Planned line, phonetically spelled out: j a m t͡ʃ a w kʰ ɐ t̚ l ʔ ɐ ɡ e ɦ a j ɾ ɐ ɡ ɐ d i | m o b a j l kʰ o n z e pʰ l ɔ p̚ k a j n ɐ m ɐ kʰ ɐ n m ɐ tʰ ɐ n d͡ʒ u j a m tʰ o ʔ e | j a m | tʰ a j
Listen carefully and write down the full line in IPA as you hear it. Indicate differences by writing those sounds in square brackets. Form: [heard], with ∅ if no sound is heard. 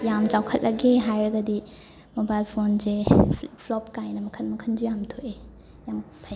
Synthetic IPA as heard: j a m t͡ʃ a w kʰ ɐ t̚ l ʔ ɐ ɡ e ɦ a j ɾ ɐ ɡ ɐ d i | m o b a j l [pʰ] o n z e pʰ l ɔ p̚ k a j n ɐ m ɐ kʰ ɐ n m ɐ [kʰ] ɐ n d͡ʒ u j a m tʰ o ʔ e | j a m | [pʰ] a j